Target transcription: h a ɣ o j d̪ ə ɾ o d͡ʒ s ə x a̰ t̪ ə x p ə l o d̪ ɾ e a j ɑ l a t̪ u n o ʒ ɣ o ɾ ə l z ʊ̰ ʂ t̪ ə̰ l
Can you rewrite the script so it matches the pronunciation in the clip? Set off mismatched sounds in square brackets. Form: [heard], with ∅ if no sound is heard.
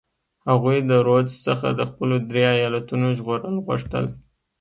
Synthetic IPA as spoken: h a ɣ [u] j d̪ ə ɾ o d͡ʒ s ə x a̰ [d̪] ə x p ə l o d̪ ɾ e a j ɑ l a t̪ u n o ʒ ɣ o ɾ ə l [ɣ] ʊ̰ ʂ t̪ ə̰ l